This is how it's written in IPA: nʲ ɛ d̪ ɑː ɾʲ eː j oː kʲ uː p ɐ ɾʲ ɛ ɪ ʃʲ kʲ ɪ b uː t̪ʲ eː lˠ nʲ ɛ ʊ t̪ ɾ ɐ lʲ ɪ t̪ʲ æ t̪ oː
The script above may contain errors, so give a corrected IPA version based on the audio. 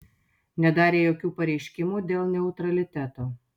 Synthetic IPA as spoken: nʲ ɛ d̪ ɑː ɾʲ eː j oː kʲ uː p ɐ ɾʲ ɛ ɪ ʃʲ kʲ ɪ m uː d̪ʲ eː lˠ nʲ ɛ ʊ t̪ ɾ ɐ lʲ ɪ t̪ʲ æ t̪ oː

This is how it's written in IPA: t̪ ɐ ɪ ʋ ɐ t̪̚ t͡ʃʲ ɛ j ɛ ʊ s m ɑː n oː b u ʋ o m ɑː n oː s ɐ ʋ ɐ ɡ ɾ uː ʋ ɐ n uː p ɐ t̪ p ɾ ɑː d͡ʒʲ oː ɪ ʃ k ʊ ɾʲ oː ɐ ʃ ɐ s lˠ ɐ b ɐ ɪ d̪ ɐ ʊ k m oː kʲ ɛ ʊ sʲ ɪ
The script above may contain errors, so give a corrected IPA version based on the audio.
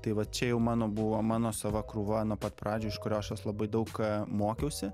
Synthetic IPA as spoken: t̪ ɐ ɪ ʋ ɐ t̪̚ t͡ʃʲ ɛ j ɛ ʊ m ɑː n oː b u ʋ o m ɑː n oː s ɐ ʋ ɐ k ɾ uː ʋ ɐ n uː p ɐ t̪ p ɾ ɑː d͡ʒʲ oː ɪ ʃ k ʊ ɾʲ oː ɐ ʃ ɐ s lˠ ɐ b ɐ ɪ d̪ ɐ ʊ k m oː kʲ ɛ ʊ sʲ ɪ

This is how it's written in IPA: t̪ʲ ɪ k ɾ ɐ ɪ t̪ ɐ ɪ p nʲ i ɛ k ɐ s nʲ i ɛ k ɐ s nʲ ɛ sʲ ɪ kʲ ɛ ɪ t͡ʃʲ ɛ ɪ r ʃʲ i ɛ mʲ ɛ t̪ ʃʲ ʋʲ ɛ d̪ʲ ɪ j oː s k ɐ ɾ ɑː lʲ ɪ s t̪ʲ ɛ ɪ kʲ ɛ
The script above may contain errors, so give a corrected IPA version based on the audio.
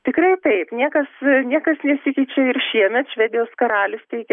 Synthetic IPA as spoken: t̪ʲ ɪ k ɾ ɐ ɪ t̪ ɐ ɪ p nʲ i ɛ k ɐ s nʲ i ɛ k ɐ s nʲ ɛ sʲ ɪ kʲ ɛ ɪ t͡ʃʲ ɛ ɪ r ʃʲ i ɛ mʲ ɛ t̪ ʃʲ ʋʲ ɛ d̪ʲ ɪ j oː s k ɐ ɾ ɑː lʲ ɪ s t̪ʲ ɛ ɪ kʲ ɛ

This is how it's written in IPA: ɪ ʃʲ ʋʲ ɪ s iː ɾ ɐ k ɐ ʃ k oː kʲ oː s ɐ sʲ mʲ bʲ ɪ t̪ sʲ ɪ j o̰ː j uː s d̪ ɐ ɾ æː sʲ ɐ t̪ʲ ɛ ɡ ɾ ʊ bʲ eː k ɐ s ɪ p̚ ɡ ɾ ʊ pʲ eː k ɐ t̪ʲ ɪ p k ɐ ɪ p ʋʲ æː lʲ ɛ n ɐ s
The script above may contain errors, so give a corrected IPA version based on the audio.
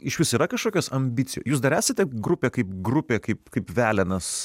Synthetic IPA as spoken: ɪ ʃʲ ʋʲ ɪ s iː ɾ ɐ k ɐ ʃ k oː kʲ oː s ɐ mʲ bʲ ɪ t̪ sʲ ɪ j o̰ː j uː s d̪ ɐ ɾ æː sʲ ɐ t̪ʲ ɛ ɡ ɾ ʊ pʲ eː k ɐ ɪ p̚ ɡ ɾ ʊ pʲ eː k ɐ ɪ p k ɐ ɪ p ʋʲ æː lʲ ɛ n ɐ s

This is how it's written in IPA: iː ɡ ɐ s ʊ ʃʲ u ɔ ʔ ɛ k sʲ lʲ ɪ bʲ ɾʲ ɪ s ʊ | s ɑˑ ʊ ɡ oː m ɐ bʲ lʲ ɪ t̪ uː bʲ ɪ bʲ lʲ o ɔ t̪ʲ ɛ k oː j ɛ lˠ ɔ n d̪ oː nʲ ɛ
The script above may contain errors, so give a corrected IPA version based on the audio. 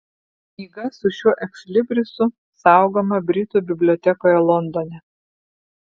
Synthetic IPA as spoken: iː ɡ ɐ s ʊ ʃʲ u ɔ ʔ ɛ k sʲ lʲ ɪ bʲ ɾʲ ɪ s ʊ | s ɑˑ ʊ ɡ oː m ɐ bʲ ɾʲ ɪ t̪ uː bʲ ɪ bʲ lʲ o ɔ t̪ʲ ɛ k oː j ɛ lˠ ɔ n d̪ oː nʲ ɛ

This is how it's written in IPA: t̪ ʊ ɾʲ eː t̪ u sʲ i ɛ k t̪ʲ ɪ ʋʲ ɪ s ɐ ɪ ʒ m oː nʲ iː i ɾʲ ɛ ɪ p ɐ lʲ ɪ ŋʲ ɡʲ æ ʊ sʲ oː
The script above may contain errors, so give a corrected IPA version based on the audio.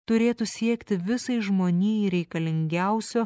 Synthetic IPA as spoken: t̪ ʊ ɾʲ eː t̪ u sʲ i ɛ k t̪ʲ ɪ ʋʲ ɪ s ɐ ɪ ʒ m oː nʲ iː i ɾʲ ɛ ɪ k ɐ lʲ ɪ ŋʲ ɡʲ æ ʊ sʲ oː

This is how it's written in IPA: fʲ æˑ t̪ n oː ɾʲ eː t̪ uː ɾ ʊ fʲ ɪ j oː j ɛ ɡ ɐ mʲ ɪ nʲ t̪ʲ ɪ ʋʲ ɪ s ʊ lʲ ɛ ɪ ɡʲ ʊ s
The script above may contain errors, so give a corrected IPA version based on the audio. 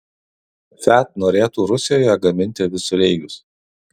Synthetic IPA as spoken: fʲ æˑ t̪ n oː ɾʲ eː t̪ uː ɾ ʊ sʲ ɪ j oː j ɛ ɡ ɐ mʲ ɪ nʲ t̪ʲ ɪ ʋʲ ɪ s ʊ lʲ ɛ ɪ ɡʲ ʊ s

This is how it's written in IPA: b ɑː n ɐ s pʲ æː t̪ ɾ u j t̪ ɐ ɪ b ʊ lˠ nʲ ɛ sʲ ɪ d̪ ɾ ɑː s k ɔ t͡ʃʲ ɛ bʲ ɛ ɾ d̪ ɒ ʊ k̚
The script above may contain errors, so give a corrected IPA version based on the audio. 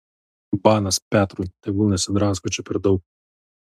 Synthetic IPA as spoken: b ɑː n ɐ s pʲ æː t̪ ɾ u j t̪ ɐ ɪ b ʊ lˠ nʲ ɛ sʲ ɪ d̪ ɾ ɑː s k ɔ t͡ʃʲ ɛ pʲ ɛ ɾ d̪ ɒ ʊ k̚

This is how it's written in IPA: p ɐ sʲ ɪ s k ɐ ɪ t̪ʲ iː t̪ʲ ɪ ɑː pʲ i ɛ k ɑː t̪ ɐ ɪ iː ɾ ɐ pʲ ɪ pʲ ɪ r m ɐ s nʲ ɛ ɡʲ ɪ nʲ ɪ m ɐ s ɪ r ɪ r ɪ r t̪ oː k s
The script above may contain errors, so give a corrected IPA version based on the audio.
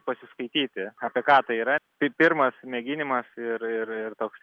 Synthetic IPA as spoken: p ɐ sʲ ɪ s k ɐ ɪ t̪ʲ iː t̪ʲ ɪ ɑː pʲ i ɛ k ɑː t̪ ɐ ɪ iː ɾ ɐ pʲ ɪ pʲ ɪ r m ɐ s mʲ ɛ ɡʲ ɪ nʲ ɪ m ɐ s ɪ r ɪ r ɪ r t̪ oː k s

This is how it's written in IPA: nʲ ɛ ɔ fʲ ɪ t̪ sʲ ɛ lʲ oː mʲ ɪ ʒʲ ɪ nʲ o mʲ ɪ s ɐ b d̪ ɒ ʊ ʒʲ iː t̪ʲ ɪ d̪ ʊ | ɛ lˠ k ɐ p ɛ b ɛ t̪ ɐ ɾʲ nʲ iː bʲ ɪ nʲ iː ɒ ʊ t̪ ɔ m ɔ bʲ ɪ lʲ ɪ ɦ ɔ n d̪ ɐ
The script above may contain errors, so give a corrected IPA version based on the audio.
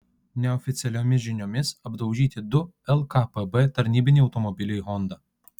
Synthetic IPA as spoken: nʲ ɛ ɔ fʲ ɪ t̪ sʲ ɛ lʲ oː mʲ ɪ ʒʲ ɪ nʲ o mʲ ɪ s ɐ b d̪ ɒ ʊ ʒʲ iː t̪ʲ ɪ d̪ ʊ | ɛ lˠ k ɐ p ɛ b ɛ t̪ ɐ ɾʲ nʲ iː bʲ ɪ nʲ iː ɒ ʊ t̪ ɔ m ɔ bʲ ɪ lʲ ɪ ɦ ɔ n d̪ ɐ

